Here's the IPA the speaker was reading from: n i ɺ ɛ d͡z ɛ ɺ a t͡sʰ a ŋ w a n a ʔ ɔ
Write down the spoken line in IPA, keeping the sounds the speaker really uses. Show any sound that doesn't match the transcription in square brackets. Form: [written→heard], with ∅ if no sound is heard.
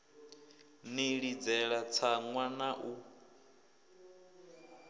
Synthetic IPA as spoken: n i ɺ [ɛ→i] d͡z ɛ ɺ a t͡sʰ a ŋ w a n a ʔ [ɔ→u]